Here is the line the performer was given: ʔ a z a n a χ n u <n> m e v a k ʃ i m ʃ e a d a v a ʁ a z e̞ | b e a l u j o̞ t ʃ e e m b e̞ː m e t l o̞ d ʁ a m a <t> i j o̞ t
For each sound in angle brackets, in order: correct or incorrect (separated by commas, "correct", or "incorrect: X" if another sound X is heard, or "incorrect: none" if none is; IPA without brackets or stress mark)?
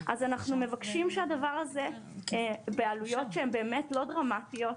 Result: incorrect: none, correct